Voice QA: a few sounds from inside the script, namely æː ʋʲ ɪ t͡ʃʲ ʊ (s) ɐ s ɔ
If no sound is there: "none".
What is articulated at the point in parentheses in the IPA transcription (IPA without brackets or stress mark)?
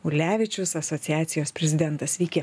s